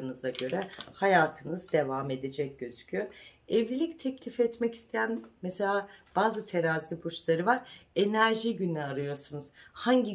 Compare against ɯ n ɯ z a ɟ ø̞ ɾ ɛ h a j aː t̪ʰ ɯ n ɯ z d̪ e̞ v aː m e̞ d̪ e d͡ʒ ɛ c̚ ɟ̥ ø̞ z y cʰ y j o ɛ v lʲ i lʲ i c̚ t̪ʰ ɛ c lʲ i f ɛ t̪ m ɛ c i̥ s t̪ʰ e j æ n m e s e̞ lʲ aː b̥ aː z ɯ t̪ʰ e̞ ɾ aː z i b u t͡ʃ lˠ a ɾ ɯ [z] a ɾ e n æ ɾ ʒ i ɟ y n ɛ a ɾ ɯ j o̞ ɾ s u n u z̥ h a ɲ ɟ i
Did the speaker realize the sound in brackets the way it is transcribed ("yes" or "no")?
no